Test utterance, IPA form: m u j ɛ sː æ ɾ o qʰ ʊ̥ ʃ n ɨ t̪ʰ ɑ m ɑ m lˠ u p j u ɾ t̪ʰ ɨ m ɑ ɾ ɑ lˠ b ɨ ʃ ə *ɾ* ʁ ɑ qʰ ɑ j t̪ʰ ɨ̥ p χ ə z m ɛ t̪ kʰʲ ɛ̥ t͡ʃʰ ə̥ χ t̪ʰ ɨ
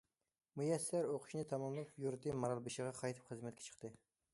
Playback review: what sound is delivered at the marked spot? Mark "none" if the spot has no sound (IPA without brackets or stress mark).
none